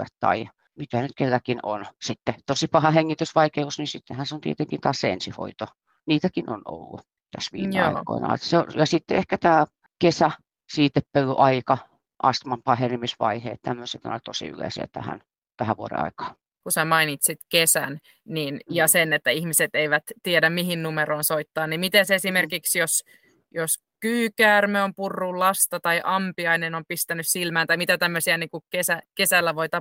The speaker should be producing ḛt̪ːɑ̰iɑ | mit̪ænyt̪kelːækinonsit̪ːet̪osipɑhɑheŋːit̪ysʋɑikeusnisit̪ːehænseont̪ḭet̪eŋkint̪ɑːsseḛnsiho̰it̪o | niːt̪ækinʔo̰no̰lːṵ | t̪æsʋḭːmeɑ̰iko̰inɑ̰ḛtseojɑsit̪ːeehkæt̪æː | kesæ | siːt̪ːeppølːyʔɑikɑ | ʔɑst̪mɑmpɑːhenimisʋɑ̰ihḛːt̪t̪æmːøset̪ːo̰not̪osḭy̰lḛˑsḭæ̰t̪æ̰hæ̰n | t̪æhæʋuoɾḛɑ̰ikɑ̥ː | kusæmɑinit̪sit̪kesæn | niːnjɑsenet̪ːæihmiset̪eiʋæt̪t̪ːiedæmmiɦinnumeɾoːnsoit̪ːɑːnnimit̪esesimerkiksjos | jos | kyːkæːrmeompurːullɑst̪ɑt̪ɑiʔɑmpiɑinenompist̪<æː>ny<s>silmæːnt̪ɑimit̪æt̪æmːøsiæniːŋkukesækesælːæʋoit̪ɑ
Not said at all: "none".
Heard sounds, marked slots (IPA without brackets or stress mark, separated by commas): æ, s